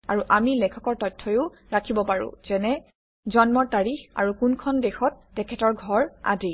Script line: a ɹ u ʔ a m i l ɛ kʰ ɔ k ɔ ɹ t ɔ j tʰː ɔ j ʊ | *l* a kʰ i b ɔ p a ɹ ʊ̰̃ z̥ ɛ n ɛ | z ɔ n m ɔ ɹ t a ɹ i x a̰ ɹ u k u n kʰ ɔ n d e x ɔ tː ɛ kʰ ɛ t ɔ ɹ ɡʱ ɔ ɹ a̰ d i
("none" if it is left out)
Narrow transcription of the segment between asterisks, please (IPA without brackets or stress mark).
ɹ